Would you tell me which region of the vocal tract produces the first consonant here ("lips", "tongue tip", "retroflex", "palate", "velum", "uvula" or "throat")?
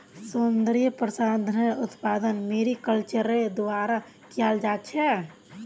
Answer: tongue tip